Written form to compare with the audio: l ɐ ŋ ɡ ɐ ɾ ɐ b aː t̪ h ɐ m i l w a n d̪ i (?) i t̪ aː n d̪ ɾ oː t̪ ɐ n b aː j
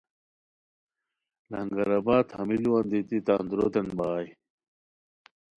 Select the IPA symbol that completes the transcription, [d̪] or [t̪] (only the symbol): t̪